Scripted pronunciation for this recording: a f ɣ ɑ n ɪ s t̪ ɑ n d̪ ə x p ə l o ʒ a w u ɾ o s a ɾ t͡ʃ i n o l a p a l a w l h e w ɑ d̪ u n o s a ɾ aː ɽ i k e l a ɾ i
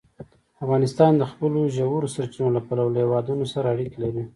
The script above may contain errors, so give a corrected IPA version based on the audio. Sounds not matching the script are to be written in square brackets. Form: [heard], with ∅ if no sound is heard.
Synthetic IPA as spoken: a f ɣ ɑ n ɪ s t̪ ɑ n d̪ ə x p ə l o ʒ a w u ɾ o s a ɾ t͡ʃ i n o l a p a l a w l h e w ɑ d̪ u n o s a ɾ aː ɽ i k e l a ɾ i